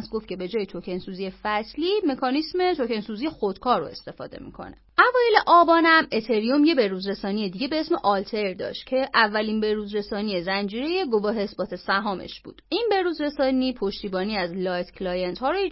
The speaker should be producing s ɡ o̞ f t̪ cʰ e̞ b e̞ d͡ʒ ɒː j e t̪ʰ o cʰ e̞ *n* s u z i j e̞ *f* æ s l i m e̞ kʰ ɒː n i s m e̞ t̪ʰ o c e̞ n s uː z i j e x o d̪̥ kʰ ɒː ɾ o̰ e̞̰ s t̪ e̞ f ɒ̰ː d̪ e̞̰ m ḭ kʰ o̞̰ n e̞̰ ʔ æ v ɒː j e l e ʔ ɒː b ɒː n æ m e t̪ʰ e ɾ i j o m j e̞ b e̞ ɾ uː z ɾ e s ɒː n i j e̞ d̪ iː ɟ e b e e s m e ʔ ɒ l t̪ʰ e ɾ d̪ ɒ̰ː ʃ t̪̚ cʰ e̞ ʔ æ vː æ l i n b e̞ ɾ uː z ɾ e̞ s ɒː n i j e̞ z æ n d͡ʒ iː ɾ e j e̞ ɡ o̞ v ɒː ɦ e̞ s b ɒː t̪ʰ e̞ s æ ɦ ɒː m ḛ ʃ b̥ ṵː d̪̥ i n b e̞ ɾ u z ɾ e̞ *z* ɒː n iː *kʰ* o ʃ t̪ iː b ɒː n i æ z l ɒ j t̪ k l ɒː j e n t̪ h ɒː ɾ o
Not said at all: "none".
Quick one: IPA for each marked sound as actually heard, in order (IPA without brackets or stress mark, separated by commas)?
n, f, s, pʰ